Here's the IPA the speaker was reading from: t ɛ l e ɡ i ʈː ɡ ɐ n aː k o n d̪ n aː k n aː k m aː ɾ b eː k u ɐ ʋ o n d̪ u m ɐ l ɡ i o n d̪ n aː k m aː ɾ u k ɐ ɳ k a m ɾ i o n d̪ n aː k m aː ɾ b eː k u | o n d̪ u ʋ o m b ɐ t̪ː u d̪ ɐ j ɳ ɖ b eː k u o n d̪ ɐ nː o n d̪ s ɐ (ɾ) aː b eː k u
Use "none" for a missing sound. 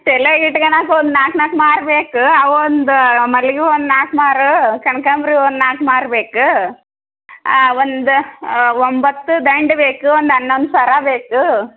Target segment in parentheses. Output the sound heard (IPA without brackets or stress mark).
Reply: ɾ